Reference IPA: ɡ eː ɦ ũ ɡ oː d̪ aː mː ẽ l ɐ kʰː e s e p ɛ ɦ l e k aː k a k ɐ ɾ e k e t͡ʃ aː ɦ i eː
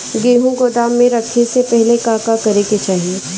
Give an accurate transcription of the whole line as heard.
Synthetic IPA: ɡ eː ɦ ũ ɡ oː d̪ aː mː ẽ ɾ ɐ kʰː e s e p ɛ ɦ l e k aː k a k ɐ ɾ e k e t͡ʃ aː ɦ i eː